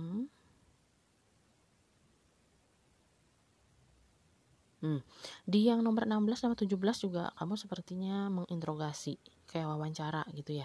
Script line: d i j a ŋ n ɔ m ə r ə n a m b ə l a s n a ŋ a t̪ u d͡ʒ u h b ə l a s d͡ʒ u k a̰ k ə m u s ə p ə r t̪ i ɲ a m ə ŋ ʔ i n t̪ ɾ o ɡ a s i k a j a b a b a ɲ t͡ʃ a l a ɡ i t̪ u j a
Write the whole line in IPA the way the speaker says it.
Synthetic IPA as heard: d i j a ŋ n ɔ m ə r ə n a m b ə l a s n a m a t̪ u d͡ʒ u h b ə l a s d͡ʒ u ɡ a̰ k a m u s ə p ə r t̪ i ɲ a m ə ŋ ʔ i n t̪ ɾ o ɡ a s i k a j a w a w a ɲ t͡ʃ a ɾ a ɡ i t̪ u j a